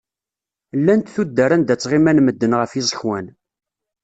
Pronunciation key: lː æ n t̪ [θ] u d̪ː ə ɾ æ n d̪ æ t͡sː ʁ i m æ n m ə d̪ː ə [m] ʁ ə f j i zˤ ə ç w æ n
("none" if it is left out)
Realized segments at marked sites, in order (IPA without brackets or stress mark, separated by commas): θ, n